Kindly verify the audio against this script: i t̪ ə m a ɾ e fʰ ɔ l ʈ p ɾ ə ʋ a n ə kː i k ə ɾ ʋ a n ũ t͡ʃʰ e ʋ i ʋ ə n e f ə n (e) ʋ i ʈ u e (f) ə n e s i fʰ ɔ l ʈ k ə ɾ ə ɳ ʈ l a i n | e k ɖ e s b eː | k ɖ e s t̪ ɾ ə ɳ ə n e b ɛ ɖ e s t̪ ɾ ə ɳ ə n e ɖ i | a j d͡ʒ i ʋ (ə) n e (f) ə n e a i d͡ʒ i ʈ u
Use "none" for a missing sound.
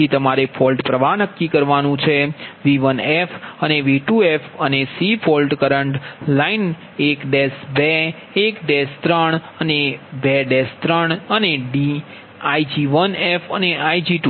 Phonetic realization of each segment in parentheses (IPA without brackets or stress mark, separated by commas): e, f, ə, f